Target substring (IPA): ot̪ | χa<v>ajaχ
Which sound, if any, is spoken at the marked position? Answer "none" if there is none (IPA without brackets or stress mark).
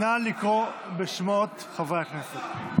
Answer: v